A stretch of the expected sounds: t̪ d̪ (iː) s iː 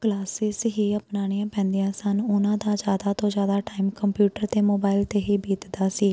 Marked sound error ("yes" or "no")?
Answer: yes